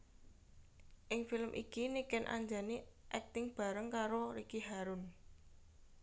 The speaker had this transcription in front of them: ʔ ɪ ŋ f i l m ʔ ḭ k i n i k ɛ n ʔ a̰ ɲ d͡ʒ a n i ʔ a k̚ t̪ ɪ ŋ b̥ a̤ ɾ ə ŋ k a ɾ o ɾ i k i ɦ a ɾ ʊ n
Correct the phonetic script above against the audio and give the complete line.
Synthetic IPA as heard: ʔ ɪ ŋ f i l m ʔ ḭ k i n i k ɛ n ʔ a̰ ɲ d͡ʒ a n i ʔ ɛ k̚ t̪ ɪ ŋ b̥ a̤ ɾ ə ŋ k a ɾ o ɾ i k i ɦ a ɾ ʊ n